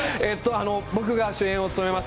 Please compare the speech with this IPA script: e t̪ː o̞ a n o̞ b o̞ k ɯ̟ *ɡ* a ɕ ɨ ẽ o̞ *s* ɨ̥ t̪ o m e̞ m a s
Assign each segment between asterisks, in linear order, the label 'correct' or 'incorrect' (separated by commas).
correct, incorrect